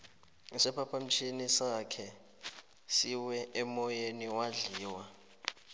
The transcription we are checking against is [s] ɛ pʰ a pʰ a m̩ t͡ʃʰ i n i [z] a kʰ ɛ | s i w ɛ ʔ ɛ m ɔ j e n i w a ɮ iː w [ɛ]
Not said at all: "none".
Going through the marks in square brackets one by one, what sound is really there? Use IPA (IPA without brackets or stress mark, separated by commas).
s, s, a